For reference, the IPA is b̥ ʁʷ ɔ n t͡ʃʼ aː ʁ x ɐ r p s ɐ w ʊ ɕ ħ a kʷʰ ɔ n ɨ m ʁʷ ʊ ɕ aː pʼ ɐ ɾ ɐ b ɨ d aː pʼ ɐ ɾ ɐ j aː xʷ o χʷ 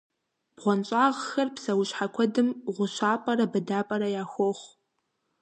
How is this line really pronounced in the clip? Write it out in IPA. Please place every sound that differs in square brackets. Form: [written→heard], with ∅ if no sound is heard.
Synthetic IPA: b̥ ʁʷ ɔ n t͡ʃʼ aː ʁ x ɐ r p s ɐ w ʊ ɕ ħ a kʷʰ ɔ [n→d] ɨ m ʁʷ ʊ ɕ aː pʼ ɐ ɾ ɐ b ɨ d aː pʼ ɐ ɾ ɐ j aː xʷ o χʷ